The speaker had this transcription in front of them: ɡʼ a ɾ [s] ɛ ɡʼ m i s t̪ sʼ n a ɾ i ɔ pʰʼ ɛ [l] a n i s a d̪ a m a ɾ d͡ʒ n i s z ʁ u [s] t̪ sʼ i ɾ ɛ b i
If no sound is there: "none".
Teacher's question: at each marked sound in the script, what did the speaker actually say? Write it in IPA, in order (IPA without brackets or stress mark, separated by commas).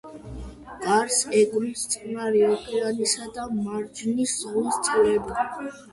s, ɾ, s